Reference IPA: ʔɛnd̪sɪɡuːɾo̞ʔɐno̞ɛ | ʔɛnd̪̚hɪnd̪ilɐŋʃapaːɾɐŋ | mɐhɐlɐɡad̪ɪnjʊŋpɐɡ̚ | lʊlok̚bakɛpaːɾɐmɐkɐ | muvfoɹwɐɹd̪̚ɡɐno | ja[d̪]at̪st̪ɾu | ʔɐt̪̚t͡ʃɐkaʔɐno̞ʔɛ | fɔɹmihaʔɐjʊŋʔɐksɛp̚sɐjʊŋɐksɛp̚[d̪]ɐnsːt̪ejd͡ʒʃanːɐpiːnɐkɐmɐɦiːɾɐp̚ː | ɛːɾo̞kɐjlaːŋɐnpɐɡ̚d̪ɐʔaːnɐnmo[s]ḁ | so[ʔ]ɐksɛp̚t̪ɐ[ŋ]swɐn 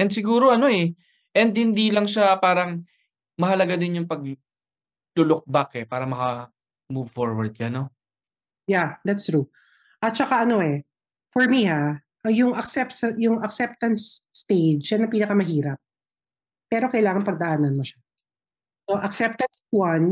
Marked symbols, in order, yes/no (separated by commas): yes, no, no, yes, no